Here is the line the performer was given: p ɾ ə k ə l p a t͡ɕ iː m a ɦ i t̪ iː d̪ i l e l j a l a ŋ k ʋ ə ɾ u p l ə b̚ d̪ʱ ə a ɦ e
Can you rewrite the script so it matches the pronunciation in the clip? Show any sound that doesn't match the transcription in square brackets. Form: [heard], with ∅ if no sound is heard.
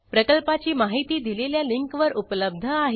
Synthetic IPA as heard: p ɾ ə k ə l p a t͡ɕ iː m a ɦ i t̪ iː d̪ i l e l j a l [i] ŋ k ʋ ə ɾ u p l ə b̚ d̪ʱ ə a ɦ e